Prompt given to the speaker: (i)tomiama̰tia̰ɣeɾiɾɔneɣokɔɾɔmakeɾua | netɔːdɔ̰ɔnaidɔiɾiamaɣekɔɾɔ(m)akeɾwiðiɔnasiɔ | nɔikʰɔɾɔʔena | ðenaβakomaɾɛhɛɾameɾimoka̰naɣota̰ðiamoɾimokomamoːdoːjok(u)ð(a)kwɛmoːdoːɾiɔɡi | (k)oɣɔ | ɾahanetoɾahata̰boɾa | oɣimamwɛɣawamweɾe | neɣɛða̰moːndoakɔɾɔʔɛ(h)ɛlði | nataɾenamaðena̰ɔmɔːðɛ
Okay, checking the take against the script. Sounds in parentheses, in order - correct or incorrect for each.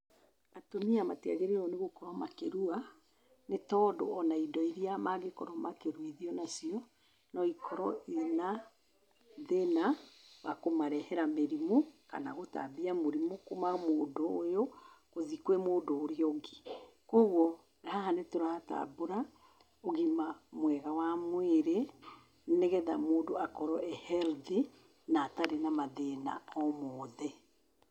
incorrect, correct, incorrect, incorrect, correct, correct

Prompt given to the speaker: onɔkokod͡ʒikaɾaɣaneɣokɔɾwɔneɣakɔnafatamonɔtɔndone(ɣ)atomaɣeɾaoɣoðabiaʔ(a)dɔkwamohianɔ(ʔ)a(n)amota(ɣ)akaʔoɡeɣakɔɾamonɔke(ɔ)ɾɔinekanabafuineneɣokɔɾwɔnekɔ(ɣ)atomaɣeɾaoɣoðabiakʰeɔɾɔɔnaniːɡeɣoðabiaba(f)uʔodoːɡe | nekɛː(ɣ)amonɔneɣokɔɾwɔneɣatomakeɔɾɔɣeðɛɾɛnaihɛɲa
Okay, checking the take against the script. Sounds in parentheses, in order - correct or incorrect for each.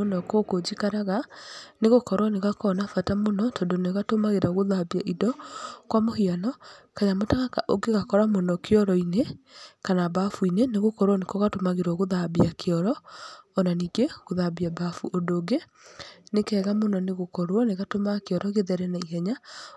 correct, incorrect, incorrect, incorrect, correct, correct, correct, correct, correct

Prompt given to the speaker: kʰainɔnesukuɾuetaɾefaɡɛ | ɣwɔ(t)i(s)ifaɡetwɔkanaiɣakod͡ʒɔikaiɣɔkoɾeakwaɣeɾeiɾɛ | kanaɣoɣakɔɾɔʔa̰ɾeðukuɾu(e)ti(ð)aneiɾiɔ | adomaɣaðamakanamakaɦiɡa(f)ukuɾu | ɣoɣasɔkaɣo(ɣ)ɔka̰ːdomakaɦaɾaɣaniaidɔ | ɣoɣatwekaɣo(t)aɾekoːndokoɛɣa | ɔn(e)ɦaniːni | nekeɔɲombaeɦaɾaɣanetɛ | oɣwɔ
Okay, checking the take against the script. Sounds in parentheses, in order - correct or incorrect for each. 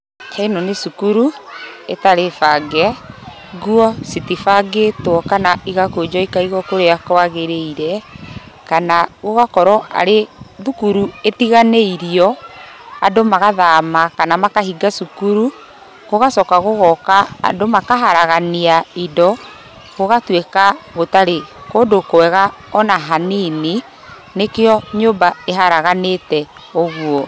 incorrect, incorrect, correct, incorrect, incorrect, correct, correct, incorrect

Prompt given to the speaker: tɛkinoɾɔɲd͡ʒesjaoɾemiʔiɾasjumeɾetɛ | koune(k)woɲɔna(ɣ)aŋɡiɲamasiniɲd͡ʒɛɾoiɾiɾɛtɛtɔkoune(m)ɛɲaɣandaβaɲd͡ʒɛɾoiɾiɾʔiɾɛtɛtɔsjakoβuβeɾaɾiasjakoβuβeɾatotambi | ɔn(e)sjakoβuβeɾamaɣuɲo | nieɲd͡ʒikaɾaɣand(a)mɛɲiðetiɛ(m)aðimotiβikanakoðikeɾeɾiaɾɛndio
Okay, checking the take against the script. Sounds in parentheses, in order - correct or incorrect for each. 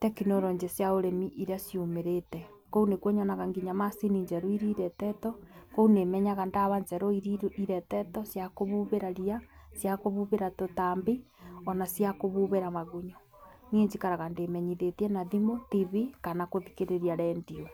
correct, correct, correct, incorrect, incorrect, incorrect

